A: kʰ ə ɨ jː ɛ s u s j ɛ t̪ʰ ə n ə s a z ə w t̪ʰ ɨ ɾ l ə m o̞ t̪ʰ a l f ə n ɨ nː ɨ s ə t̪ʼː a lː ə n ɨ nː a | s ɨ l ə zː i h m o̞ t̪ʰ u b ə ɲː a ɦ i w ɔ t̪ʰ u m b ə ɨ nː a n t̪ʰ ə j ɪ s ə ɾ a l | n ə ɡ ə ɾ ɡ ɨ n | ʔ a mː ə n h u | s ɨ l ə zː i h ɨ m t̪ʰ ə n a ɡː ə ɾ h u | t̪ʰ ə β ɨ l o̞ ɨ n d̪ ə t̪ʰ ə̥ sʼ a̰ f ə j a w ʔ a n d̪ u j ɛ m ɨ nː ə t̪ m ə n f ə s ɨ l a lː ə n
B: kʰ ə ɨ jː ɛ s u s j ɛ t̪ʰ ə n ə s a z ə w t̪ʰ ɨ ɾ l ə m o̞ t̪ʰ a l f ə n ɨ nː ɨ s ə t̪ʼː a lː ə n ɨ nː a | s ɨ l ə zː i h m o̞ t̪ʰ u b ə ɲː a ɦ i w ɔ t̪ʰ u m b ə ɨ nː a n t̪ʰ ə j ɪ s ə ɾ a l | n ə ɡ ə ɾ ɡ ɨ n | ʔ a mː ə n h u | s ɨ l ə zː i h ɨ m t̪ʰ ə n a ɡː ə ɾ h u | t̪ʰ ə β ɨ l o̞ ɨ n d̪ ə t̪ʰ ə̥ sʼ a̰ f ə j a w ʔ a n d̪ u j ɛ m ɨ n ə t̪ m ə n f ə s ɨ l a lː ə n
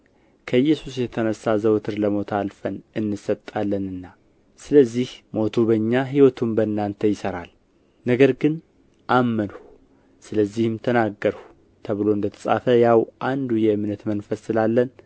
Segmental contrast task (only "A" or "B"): B